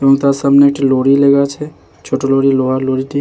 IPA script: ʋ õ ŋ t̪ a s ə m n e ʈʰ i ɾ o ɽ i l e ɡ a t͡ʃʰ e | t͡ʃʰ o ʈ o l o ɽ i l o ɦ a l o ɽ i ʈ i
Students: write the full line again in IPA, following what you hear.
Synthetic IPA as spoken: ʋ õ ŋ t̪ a s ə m n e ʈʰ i l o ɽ i l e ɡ a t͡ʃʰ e | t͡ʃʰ o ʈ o l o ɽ i l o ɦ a l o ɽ i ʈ i